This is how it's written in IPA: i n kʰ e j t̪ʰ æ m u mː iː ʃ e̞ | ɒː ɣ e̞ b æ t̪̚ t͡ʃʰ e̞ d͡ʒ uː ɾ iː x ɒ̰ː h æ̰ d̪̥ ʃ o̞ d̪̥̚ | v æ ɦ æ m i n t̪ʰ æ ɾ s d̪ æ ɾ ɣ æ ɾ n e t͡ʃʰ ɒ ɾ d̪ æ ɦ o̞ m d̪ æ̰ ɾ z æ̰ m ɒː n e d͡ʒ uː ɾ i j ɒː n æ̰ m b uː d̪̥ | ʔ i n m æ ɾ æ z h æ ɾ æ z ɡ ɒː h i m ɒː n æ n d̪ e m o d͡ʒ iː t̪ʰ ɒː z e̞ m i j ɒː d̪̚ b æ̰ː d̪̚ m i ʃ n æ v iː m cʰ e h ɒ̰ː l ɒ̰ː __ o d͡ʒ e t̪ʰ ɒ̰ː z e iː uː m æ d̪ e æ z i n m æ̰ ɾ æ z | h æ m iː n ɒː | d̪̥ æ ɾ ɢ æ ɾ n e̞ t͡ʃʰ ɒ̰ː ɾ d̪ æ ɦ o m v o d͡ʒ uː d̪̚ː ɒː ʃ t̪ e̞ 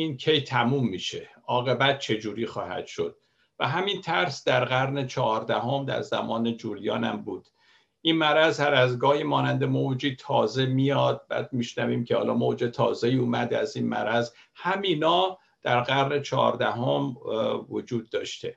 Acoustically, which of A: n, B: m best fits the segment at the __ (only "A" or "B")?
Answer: B